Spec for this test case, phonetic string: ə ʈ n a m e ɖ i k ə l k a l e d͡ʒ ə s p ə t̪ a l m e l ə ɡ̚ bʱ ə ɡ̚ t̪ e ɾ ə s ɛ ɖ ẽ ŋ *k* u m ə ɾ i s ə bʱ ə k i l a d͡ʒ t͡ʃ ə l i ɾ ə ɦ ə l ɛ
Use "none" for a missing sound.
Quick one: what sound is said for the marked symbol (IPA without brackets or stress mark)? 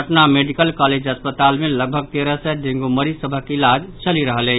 ɡ